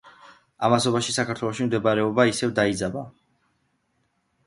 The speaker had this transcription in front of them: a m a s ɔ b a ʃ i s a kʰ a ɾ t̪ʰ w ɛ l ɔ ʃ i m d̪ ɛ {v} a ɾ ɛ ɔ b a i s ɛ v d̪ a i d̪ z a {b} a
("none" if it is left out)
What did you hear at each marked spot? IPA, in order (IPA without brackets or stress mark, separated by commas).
b, b